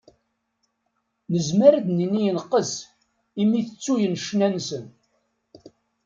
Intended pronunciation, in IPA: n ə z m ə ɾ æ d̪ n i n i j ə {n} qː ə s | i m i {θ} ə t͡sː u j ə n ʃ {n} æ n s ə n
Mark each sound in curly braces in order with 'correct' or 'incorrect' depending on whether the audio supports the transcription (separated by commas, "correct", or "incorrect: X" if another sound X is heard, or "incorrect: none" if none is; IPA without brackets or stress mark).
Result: correct, correct, correct